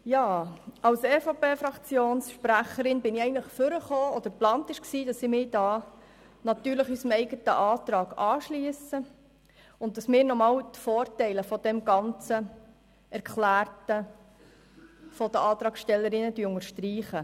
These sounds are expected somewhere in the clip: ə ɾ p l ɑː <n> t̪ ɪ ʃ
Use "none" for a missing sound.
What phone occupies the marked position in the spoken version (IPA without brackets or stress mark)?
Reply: n